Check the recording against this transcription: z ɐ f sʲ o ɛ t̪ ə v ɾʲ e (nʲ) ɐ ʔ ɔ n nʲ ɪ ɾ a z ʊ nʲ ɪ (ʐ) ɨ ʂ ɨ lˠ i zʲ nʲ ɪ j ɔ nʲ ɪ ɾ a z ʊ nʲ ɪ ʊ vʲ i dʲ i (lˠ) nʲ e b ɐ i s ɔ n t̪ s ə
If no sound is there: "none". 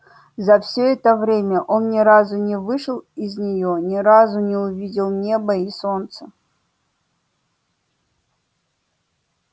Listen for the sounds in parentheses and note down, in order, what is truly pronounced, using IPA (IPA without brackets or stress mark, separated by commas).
mʲ, v, lˠ